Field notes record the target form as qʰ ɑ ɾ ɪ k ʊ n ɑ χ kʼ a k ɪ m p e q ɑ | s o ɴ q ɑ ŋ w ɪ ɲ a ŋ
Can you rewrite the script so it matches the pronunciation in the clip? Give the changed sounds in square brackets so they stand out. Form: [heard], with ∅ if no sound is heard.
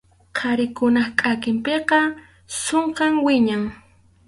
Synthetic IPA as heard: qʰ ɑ ɾ ɪ k ʊ n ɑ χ kʼ a k ɪ m p e q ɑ | s o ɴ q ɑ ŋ w ɪ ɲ a ŋ

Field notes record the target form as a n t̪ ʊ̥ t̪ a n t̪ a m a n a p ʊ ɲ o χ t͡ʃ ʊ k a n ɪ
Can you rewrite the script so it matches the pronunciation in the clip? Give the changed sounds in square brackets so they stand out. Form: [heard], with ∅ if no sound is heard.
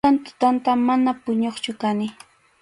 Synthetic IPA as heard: a n t̪ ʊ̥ t̪ a n t̪ a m a n a p ʊ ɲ o χ t͡ʃ ʊ k a n ɪ

